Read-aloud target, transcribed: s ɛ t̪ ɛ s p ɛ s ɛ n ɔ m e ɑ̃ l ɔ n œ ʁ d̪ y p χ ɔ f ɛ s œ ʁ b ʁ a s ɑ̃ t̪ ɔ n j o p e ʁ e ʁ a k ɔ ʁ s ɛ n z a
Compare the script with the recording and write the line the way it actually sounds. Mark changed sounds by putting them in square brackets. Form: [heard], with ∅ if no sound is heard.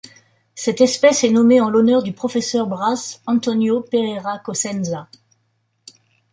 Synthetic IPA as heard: s ɛ t̪ ɛ s p ɛ s ɛ n ɔ m e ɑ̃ l ɔ n œ ʁ d̪ y p χ ɔ f ɛ s œ ʁ b ʁ a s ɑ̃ t̪ ɔ n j o p e ʁ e ʁ a k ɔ [∅] s ɛ n z a